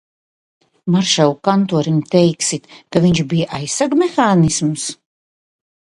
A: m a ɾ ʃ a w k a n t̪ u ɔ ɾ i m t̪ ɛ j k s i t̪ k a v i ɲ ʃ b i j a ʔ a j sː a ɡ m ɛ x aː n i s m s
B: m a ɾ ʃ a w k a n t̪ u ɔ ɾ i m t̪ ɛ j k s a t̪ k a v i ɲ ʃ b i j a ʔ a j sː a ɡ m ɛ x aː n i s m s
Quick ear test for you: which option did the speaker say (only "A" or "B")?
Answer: A